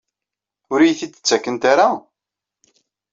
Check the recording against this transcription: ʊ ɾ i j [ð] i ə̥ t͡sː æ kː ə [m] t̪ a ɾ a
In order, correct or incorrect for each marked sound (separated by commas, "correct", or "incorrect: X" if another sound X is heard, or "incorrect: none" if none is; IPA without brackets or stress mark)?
incorrect: θ, incorrect: n